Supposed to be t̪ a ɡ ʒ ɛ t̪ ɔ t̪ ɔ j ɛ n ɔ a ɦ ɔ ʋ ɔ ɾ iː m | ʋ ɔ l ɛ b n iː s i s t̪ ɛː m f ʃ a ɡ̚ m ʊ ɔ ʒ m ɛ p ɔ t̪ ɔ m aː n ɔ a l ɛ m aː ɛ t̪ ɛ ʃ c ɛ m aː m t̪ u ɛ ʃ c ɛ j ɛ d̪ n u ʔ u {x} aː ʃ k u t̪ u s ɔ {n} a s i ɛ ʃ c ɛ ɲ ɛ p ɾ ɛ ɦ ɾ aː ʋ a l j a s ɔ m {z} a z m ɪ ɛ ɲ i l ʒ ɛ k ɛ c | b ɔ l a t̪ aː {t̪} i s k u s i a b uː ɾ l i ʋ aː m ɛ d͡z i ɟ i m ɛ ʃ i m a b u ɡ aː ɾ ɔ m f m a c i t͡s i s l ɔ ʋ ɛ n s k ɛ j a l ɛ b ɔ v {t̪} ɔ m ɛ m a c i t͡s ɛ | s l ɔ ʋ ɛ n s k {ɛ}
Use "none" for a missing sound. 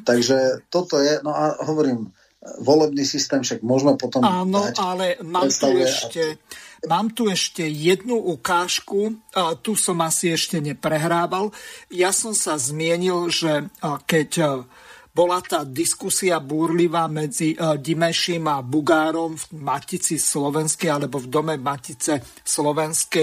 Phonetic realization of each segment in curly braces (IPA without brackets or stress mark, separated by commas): k, m, s, d̪, d̪, ɛ